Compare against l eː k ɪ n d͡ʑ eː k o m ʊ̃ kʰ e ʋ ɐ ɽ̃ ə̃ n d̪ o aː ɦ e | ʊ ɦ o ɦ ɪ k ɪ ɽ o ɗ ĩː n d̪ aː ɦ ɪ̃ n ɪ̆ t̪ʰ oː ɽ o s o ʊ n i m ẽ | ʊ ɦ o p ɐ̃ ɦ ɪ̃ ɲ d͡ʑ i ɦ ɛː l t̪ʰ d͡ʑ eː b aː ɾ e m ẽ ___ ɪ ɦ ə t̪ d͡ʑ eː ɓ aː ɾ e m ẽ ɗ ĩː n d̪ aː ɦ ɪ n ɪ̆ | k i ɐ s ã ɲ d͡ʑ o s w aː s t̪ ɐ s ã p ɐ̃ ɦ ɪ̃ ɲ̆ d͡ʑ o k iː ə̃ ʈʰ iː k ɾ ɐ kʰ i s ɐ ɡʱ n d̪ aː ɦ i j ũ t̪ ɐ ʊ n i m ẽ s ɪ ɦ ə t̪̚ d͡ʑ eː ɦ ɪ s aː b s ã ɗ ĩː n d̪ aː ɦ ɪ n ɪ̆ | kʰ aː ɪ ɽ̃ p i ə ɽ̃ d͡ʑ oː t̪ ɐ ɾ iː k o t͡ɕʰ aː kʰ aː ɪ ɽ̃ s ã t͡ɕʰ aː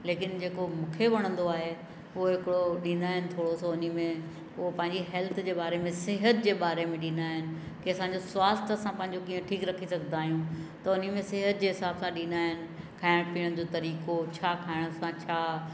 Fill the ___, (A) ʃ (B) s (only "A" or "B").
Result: B